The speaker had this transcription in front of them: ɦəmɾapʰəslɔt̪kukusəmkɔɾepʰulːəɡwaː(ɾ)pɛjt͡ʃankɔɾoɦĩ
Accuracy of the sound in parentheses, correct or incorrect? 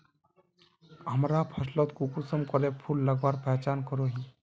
correct